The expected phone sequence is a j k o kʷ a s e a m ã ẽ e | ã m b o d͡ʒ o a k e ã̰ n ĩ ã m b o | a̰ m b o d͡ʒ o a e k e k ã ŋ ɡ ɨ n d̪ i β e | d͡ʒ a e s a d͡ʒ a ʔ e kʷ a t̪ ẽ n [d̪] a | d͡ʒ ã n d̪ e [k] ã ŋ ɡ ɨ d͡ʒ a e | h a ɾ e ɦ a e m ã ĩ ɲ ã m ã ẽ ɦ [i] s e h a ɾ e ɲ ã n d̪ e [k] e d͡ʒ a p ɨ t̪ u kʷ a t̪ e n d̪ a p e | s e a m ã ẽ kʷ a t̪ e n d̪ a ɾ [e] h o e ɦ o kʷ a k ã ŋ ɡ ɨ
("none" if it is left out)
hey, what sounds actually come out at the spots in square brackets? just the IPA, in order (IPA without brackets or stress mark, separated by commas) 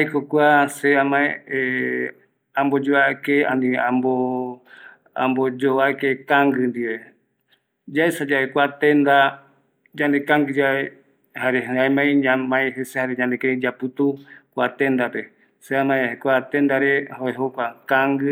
d̪, k, e, k, e